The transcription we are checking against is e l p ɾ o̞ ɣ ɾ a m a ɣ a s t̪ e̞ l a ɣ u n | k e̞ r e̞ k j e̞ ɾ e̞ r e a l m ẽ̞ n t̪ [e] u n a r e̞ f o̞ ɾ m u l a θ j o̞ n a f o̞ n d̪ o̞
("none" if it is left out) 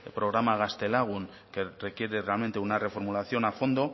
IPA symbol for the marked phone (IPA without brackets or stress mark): e